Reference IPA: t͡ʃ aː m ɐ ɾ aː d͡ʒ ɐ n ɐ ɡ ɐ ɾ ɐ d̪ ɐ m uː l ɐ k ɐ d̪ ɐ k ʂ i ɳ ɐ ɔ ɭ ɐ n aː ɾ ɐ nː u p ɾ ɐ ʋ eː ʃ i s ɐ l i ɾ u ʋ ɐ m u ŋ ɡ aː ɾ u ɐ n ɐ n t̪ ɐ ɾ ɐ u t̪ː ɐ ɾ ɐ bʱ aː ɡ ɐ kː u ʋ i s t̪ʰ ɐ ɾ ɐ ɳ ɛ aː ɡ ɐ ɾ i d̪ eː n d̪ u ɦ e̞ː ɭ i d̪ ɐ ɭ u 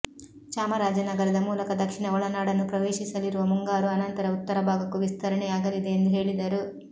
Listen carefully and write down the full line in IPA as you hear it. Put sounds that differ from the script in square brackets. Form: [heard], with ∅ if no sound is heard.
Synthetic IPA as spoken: t͡ʃ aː m ɐ ɾ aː d͡ʒ ɐ n ɐ ɡ ɐ ɾ ɐ d̪ ɐ m uː l ɐ k ɐ d̪ ɐ k ʂ i ɳ ɐ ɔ ɭ ɐ n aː [ɽ] ɐ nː u p ɾ ɐ ʋ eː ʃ i s ɐ l i ɾ u ʋ ɐ m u ŋ ɡ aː ɾ u ɐ n ɐ n t̪ ɐ ɾ ɐ u t̪ː ɐ ɾ ɐ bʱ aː ɡ ɐ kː u ʋ i s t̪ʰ ɐ ɾ ɐ ɳ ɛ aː ɡ ɐ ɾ i d̪ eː n d̪ u ɦ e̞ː ɭ i d̪ ɐ [ɾ] u

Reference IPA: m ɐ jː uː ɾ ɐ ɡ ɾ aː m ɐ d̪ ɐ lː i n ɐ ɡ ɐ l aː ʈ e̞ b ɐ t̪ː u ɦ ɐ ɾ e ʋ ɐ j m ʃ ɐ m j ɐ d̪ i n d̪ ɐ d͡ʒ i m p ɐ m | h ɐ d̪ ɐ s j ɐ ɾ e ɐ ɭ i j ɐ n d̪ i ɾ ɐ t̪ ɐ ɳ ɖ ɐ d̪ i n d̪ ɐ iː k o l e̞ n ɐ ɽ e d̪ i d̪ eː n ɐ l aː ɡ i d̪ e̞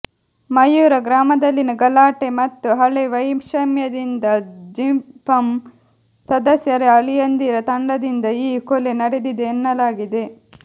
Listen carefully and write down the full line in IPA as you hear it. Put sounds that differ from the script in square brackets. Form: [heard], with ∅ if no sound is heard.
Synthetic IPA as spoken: m ɐ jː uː ɾ ɐ ɡ ɾ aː m ɐ d̪ ɐ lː i n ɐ ɡ ɐ l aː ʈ e̞ [m] ɐ t̪ː u ɦ ɐ [ɭ] e ʋ ɐ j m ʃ ɐ m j ɐ d̪ i n d̪ ɐ d͡ʒ i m p ɐ m | [s] ɐ d̪ ɐ s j ɐ ɾ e ɐ ɭ i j ɐ n d̪ i ɾ ɐ t̪ ɐ ɳ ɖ ɐ d̪ i n d̪ ɐ iː k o l e̞ n ɐ ɽ e d̪ i d̪ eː [nː] ɐ l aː ɡ i d̪ e̞

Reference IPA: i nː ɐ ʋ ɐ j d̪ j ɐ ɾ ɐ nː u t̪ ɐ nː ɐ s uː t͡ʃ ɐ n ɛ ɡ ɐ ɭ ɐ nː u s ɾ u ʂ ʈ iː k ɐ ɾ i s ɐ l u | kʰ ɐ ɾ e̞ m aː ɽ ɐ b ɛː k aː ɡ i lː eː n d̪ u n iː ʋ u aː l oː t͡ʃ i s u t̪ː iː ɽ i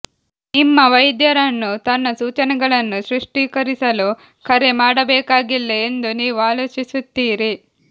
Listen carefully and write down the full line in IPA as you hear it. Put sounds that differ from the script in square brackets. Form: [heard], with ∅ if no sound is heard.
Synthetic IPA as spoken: i [mː] ɐ ʋ ɐ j d̪ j ɐ ɾ ɐ nː u t̪ ɐ nː ɐ s uː t͡ʃ ɐ n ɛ ɡ ɐ ɭ ɐ nː u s ɾ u ʂ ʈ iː k ɐ ɾ i s ɐ l u | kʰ ɐ ɾ e̞ m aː ɽ ɐ b ɛː k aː ɡ i lː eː n d̪ u n iː ʋ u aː l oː t͡ʃ i s u t̪ː iː [ɾ] i

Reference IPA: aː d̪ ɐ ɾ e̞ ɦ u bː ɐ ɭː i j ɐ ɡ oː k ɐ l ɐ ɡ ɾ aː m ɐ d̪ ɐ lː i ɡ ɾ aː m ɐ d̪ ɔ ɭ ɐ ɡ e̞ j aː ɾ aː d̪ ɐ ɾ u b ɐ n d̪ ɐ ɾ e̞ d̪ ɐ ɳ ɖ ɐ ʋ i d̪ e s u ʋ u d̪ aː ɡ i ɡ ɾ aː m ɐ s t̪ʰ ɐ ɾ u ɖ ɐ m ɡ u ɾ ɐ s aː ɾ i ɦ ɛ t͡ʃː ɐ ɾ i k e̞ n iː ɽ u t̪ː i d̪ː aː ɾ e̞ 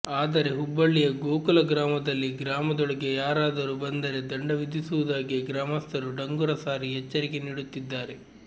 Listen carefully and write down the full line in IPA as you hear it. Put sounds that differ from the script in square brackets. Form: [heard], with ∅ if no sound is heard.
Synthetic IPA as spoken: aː d̪ ɐ ɾ e̞ ɦ u bː ɐ ɭː i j ɐ ɡ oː k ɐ l ɐ ɡ ɾ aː m ɐ d̪ ɐ lː i ɡ ɾ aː m ɐ d̪ ɔ ɭ ɐ ɡ e̞ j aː ɾ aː d̪ ɐ ɾ u b ɐ n d̪ ɐ ɾ e̞ d̪ ɐ ɳ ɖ ɐ ʋ i d̪ [i] s u ʋ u d̪ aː ɡ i ɡ ɾ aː m ɐ s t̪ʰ ɐ ɾ u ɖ ɐ [ŋ] ɡ u ɾ ɐ s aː ɾ i ɦ ɛ t͡ʃː ɐ ɾ i k e̞ n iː ɽ u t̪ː i d̪ː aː ɾ e̞

